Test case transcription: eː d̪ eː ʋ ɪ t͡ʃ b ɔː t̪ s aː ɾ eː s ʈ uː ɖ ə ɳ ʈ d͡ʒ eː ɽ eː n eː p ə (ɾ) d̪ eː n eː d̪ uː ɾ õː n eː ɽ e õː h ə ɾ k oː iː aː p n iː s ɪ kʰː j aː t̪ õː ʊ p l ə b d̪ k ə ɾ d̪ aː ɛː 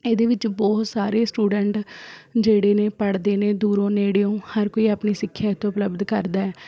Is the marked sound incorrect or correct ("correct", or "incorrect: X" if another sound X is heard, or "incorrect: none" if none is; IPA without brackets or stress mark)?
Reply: incorrect: ɽ